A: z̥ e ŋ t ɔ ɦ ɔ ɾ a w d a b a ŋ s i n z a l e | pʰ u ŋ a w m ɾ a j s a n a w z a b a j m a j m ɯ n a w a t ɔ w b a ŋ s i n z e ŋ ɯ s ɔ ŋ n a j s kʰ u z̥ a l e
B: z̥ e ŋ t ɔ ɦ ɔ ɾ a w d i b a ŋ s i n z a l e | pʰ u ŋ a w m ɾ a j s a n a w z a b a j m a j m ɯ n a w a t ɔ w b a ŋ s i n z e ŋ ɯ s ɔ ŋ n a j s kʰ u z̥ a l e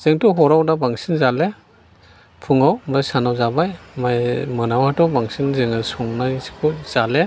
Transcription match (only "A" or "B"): A